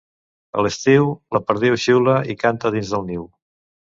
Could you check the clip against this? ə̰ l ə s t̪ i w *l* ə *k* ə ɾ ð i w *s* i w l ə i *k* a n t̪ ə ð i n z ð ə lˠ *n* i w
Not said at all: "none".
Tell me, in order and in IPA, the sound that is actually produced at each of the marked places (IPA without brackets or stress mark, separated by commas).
l, p, ʃ, k, n